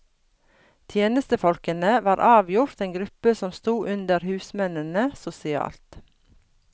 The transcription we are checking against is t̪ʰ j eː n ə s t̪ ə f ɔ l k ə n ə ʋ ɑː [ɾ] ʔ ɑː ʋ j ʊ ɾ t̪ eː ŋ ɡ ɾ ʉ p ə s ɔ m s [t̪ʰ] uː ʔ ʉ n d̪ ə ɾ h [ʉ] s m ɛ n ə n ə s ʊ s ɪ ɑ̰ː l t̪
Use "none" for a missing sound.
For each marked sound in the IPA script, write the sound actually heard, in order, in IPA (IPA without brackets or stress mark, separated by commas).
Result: ɾ, t̪, ʉː